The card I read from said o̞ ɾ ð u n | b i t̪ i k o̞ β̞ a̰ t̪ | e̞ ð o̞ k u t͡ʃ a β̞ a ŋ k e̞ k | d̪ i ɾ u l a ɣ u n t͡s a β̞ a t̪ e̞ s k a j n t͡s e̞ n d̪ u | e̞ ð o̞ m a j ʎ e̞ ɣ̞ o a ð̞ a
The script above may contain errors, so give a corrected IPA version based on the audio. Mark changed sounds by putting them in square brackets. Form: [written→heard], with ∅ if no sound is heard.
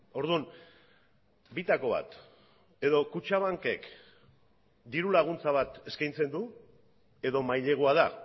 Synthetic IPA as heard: o̞ ɾ ð u n | b i t̪ [i→a] k o̞ β̞ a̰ t̪ | e̞ ð o̞ k u t͡ʃ a β̞ a ŋ k e̞ k | d̪ i ɾ u l a ɣ u n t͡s a β̞ a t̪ e̞ s k a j n t͡s e̞ n d̪ u | e̞ ð o̞ m a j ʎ e̞ ɣ̞ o a ð̞ a

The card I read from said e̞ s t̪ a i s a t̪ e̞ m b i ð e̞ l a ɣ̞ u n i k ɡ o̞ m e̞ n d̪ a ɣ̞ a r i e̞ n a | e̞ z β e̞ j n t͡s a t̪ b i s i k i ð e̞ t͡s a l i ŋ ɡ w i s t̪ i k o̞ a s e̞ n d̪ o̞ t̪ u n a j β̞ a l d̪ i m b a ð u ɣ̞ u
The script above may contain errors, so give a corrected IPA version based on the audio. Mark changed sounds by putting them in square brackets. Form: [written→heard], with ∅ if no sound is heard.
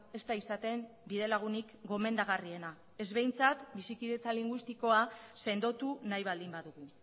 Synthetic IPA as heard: e̞ s t̪ a i s a t̪ e̞ m b i ð e̞ l a ɣ̞ u n i k ɡ o̞ m e̞ n d̪ a ɣ̞ a r i e̞ n a | e̞ z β e̞ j n t͡s a t̪ b i s i k i ð e̞ t͡s a l i ŋ ɡ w i s t̪ i k o̞ a s e̞ n d̪ o̞ t̪ u n a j β̞ a l d̪ i m b a ð u ɣ̞ u

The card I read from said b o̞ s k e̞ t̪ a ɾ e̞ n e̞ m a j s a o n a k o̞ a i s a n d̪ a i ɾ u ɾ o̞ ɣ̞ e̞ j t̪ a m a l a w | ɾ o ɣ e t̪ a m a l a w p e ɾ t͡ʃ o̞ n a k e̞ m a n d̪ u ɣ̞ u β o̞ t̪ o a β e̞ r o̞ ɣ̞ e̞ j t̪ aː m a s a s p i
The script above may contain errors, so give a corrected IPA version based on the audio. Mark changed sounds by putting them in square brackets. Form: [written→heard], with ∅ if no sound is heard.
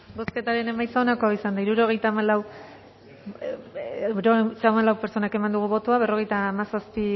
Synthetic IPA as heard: b o̞ s k e̞ t̪ a ɾ e̞ n e̞ m a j s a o n a k o̞ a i s a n d̪ a i ɾ u ɾ o̞ ɣ̞ e̞ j t̪ a m a l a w | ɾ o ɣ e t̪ a m a l a w p e ɾ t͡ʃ o̞ n a k e̞ m a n d̪ u ɣ̞ u β o̞ t̪ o a β e̞ r o̞ ɣ̞ e̞ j t̪ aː m a s a s p i

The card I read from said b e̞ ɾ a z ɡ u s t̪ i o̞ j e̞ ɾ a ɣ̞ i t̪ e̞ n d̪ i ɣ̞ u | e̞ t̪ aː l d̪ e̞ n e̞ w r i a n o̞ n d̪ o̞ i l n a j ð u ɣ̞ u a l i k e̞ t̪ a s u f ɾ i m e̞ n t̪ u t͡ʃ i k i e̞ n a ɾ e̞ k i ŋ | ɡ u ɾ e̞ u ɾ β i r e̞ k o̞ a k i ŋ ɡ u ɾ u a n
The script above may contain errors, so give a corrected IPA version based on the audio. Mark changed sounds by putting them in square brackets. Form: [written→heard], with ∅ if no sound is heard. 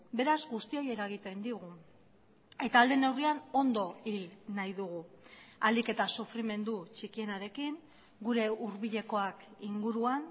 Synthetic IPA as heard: b e̞ ɾ a z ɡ u s t̪ i o̞ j e̞ ɾ a ɣ̞ i t̪ e̞ n d̪ i ɣ̞ u | e̞ t̪ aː l d̪ e̞ n e̞ w r i a n o̞ n d̪ o̞ i l n a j ð u ɣ̞ u a l i k e̞ t̪ a s u f ɾ i m e̞ n [t̪→d̪] u t͡ʃ i k i e̞ n a ɾ e̞ k i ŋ | ɡ u ɾ e̞ u ɾ β i [r→ʎ] e̞ k o̞ a k i ŋ ɡ u ɾ u a n

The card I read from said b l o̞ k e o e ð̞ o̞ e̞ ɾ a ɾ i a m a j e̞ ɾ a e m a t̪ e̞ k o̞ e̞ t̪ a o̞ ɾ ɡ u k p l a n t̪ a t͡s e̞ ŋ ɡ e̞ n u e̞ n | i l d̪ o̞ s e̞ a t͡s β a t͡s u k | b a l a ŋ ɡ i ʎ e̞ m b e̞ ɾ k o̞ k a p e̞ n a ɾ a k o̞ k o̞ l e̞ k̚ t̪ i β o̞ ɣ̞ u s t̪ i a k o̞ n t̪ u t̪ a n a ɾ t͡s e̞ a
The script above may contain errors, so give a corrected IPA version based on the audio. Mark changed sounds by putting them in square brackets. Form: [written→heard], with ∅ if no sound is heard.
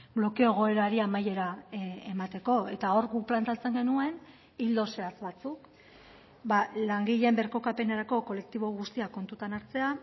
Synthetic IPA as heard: b l o̞ k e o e [ð̞→ɣ̞] o̞ e̞ ɾ a ɾ i a m a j e̞ ɾ a e m a t̪ e̞ k o̞ e̞ t̪ a o̞ ɾ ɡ u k p l a n t̪ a t͡s e̞ ŋ ɡ e̞ n u e̞ n | i l d̪ o̞ s e̞ a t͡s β a t͡s u k | b a l a ŋ ɡ i ʎ e̞ m b e̞ ɾ k o̞ k a p e̞ n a ɾ a k o̞ k o̞ l e̞ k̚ t̪ i β o̞ ɣ̞ u s t̪ i a k o̞ n t̪ u t̪ a n a ɾ t͡s e̞ a

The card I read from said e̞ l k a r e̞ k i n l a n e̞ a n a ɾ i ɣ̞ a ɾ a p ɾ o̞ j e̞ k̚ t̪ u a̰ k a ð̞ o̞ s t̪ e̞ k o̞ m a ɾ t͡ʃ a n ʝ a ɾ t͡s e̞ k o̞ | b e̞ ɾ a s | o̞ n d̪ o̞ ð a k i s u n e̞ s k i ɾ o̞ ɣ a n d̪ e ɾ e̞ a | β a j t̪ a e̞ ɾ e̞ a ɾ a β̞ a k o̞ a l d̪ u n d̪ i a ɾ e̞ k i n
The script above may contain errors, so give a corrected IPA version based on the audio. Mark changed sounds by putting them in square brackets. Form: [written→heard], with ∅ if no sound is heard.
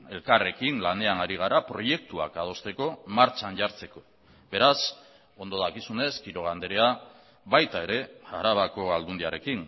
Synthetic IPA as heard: e̞ l k a r e̞ k i n l a n e̞ a n a ɾ i ɣ̞ a ɾ a p ɾ o̞ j e̞ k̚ t̪ u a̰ k a ð̞ o̞ s t̪ e̞ k o̞ m a ɾ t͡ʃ a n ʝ a ɾ t͡s e̞ k o̞ | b e̞ ɾ a s | o̞ n d̪ o̞ ð a k i s u n e̞ s k i ɾ o̞ ɣ a n d̪ e ɾ e̞ a | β a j t̪ a e̞ ɾ e̞ a ɾ a β̞ a k o̞ a l d̪ u n d̪ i a ɾ e̞ k i n

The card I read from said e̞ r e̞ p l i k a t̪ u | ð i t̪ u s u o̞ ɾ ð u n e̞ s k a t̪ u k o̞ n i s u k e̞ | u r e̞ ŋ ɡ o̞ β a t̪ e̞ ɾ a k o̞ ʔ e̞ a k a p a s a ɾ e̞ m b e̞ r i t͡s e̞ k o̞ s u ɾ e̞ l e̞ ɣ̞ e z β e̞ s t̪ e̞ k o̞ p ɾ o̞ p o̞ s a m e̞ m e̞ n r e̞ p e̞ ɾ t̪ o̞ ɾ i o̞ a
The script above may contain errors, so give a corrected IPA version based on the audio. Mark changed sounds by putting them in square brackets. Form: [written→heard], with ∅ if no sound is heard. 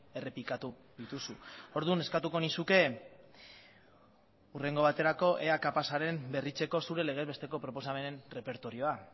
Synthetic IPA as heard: e̞ r e̞ p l i k a t̪ u | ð i t̪ u s u o̞ ɾ ð u n e̞ s k a t̪ u k o̞ n i s u k e̞ | u r e̞ ŋ ɡ o̞ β a t̪ e̞ ɾ a k o̞ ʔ e̞ a k a p a s a ɾ e̞ m b e̞ r i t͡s e̞ k o̞ s u ɾ e̞ l e̞ ɣ̞ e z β e̞ s t̪ e̞ k o̞ p ɾ o̞ p o̞ s a m e̞ [m→n] e̞ n r e̞ p e̞ ɾ t̪ o̞ ɾ i o̞ a

